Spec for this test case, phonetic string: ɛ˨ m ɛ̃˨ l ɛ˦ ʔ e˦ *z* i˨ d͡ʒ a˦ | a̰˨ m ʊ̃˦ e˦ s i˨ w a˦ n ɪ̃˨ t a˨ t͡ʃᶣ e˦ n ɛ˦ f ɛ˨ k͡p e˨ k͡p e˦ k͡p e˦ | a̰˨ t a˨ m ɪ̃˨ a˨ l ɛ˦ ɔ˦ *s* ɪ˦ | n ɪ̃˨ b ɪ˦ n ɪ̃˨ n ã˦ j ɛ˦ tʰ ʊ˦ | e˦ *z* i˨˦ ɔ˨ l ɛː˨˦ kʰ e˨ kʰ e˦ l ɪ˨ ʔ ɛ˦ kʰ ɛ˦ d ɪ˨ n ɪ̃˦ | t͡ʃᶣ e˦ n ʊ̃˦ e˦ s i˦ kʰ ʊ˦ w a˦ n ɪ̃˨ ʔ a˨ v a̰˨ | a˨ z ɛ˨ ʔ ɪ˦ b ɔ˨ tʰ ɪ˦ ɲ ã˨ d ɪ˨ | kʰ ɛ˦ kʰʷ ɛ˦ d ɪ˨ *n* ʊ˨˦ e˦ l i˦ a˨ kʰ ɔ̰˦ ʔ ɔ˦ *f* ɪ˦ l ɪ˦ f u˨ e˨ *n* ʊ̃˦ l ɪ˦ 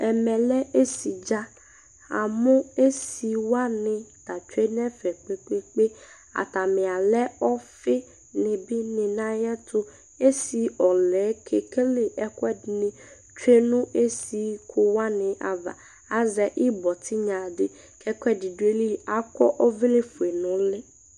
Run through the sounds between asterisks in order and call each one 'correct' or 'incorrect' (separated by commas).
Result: incorrect, incorrect, incorrect, incorrect, incorrect, correct